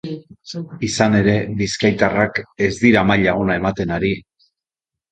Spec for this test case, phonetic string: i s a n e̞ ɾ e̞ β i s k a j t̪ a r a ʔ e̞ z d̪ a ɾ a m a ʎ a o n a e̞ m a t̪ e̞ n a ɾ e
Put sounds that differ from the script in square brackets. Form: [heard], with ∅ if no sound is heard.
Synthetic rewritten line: i s a n e̞ ɾ e̞ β i s k a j t̪ a r a [k] e̞ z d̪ [i] ɾ a m a ʎ a o n a e̞ m a t̪ e̞ n a ɾ [i]